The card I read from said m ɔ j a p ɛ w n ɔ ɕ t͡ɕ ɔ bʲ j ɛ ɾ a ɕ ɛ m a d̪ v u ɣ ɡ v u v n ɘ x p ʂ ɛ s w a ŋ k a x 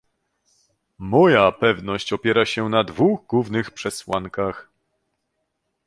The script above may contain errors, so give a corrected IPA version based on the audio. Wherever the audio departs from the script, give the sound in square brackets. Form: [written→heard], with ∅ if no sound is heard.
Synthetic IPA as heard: m ɔ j a p ɛ [w→v] n ɔ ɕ t͡ɕ ɔ [bʲ→pʲ] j ɛ ɾ a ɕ ɛ [m→n] a d̪ v u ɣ ɡ [v→w] u v n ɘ x p ʂ ɛ s w a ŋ k a x